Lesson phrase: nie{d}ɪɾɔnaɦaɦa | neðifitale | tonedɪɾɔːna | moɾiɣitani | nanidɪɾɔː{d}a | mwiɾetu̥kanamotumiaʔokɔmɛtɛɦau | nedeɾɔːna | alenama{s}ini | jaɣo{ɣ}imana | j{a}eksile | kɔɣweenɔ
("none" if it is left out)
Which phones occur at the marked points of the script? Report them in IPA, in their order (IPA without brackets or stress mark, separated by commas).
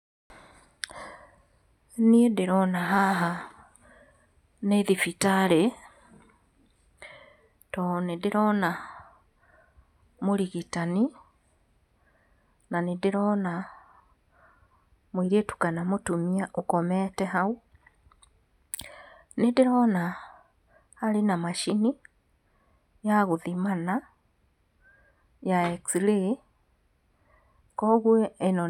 d, n, ʃ, ð, a